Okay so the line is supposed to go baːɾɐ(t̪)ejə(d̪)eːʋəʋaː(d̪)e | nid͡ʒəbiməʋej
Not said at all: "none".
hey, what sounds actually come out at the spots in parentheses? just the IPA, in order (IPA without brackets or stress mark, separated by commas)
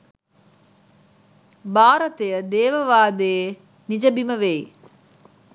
t̪, d̪, d̪